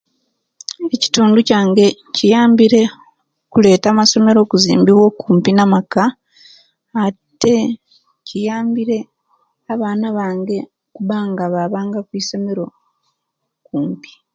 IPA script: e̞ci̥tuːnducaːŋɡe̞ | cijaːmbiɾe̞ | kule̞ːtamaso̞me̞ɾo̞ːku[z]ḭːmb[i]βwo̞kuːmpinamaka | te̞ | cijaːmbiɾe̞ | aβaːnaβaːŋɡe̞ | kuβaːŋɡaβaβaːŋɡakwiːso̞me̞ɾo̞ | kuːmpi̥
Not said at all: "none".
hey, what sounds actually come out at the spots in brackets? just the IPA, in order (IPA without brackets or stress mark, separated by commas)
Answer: z, i